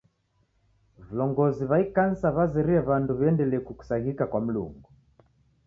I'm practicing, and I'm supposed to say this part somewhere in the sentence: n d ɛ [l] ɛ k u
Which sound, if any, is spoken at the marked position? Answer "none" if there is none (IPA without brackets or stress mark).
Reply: l